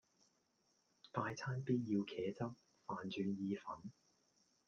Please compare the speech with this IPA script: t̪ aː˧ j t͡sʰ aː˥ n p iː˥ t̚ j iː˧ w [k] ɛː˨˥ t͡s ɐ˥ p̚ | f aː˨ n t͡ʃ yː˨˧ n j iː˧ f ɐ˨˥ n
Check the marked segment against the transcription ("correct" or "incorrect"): incorrect